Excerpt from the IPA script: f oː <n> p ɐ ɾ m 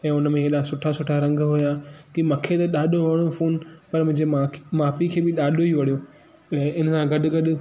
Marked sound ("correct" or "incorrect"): correct